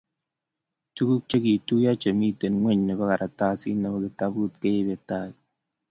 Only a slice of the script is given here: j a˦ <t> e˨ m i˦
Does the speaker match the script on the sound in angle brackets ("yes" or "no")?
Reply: no